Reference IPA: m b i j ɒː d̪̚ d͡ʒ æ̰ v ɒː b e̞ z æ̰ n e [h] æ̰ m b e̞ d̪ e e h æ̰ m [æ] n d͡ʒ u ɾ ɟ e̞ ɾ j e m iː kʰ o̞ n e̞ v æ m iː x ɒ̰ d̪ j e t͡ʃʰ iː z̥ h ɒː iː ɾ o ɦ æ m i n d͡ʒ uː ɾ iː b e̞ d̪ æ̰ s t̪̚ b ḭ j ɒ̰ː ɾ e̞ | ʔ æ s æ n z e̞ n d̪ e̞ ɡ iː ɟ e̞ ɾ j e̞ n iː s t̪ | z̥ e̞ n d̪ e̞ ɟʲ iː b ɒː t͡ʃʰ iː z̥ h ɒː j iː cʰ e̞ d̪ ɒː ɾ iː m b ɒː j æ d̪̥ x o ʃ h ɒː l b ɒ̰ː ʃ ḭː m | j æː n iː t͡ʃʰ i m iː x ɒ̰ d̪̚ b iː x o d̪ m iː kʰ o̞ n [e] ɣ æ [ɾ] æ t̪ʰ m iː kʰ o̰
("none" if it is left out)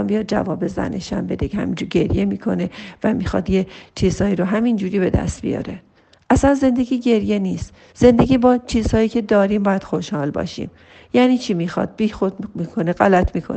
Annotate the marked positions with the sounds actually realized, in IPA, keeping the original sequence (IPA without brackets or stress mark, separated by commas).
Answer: ʃ, i, e, l